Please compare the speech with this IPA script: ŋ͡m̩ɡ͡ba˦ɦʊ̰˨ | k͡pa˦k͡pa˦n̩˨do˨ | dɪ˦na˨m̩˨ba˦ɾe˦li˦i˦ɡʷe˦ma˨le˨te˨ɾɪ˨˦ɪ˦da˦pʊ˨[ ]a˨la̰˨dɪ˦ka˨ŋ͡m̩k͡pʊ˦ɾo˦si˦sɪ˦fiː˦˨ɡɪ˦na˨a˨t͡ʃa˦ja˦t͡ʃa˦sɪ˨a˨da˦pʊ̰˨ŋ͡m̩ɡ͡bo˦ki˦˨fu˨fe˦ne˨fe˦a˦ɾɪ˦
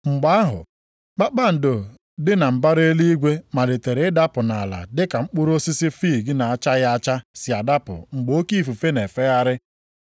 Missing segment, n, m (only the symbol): n